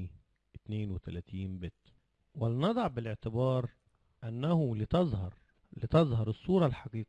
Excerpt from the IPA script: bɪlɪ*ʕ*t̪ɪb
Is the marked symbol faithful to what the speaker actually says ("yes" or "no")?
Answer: yes